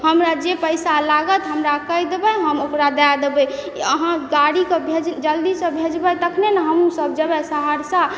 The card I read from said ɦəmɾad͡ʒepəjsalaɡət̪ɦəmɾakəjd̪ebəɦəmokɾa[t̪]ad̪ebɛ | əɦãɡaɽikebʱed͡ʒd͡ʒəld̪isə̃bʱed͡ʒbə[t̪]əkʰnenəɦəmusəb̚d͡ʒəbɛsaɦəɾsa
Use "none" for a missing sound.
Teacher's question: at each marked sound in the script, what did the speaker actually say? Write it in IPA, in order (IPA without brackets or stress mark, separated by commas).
d̪, t̪